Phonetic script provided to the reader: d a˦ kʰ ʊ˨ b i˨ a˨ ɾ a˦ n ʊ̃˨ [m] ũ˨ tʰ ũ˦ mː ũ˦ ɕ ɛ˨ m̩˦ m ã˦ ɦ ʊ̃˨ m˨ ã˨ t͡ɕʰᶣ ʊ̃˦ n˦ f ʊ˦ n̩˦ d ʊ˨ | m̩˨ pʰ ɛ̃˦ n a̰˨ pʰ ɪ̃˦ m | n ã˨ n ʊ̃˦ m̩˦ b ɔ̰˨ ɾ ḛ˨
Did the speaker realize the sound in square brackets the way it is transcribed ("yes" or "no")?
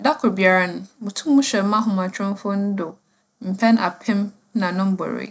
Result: yes